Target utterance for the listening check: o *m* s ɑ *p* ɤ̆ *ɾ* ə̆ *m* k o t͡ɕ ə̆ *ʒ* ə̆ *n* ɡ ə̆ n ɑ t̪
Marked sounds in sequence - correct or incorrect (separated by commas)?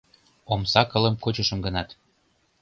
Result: correct, incorrect, incorrect, correct, incorrect, incorrect